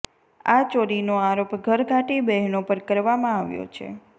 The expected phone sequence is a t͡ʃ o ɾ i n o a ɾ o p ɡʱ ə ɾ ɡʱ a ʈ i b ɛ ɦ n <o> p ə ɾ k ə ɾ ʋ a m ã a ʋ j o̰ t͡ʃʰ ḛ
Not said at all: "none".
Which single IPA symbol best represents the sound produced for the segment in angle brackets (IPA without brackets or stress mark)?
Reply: o